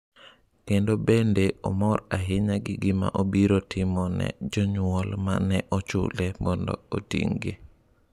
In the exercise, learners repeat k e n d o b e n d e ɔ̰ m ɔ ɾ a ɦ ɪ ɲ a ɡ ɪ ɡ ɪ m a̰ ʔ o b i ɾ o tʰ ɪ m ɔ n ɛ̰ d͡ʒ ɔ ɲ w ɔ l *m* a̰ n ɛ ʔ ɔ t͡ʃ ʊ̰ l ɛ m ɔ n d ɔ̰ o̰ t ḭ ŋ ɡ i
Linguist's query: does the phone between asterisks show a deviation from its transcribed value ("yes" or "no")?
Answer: no